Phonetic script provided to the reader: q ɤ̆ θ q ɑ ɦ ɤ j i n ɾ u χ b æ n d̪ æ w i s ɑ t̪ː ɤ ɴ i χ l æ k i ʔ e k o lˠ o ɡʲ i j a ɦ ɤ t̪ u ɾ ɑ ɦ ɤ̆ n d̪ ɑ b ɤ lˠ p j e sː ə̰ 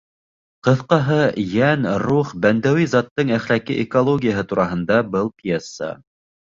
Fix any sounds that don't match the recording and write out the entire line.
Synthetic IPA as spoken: q ɤ̆ θ q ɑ ɦ ɤ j æ n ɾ u χ b æ n d̪ æ w i z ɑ t̪ː ɤ ɴ æ χ l æ k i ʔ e k o lˠ o ɡʲ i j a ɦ ɤ t̪ u ɾ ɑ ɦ ɤ̆ n d̪ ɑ b ɤ lˠ p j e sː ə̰